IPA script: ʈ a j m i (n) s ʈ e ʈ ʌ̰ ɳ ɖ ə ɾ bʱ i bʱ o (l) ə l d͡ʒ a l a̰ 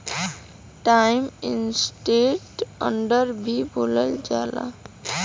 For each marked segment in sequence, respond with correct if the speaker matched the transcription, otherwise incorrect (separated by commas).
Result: correct, correct